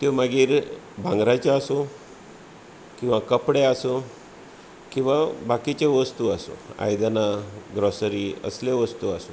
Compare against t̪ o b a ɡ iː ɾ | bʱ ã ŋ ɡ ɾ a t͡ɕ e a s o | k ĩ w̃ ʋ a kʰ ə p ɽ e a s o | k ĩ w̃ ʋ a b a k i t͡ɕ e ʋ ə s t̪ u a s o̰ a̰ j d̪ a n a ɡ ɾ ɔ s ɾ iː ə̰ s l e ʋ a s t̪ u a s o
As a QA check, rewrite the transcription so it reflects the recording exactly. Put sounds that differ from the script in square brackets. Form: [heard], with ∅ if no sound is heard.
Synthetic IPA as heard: t̪ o [m] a ɡ iː ɾ | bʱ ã ŋ ɡ ɾ a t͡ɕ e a s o | k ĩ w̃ ʋ a [k] ə p ɽ e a s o | k ĩ w̃ ʋ a b a k i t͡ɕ e ʋ ə s t̪ u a s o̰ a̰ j d̪ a n a ɡ ɾ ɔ s ɾ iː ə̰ s l e ʋ [ə] s t̪ u a s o